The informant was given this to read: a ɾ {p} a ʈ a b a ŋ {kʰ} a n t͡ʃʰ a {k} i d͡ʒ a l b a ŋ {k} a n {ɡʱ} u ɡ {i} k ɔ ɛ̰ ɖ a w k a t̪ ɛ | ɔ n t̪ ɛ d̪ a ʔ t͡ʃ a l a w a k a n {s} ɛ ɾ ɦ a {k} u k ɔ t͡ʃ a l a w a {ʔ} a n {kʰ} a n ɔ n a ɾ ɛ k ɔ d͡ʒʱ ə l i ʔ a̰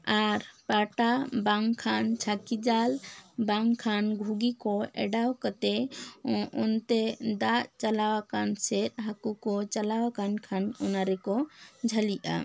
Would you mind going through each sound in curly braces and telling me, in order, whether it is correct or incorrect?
correct, correct, correct, incorrect: kʰ, correct, correct, correct, correct, incorrect: k, correct

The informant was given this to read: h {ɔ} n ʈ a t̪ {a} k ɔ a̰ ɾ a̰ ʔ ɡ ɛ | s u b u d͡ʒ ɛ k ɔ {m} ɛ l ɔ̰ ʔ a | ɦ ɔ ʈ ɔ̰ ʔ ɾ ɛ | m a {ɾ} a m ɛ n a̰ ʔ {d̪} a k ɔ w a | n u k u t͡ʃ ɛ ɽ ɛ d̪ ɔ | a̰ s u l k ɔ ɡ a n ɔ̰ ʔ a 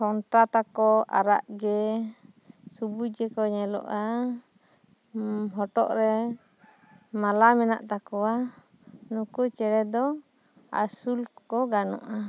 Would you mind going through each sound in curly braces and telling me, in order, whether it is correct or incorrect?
correct, correct, incorrect: ɲ, incorrect: l, incorrect: t̪

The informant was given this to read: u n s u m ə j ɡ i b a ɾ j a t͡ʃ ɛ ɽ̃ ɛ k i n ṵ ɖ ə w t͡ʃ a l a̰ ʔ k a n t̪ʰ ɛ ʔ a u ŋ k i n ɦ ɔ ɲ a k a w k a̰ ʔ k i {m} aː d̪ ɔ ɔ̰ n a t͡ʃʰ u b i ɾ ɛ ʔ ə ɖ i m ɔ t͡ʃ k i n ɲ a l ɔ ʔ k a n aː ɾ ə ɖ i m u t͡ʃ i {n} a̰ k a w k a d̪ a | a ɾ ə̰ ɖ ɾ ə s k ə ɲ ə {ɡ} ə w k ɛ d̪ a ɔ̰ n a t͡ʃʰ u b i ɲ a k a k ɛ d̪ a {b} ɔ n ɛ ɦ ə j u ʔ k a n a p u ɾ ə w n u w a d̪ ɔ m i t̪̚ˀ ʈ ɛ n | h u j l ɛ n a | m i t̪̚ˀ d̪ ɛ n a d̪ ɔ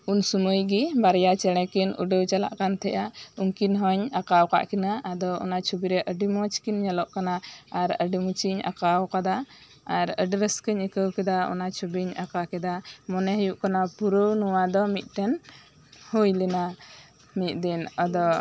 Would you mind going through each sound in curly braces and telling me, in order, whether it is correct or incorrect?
incorrect: n, incorrect: ɲ, incorrect: k, incorrect: m

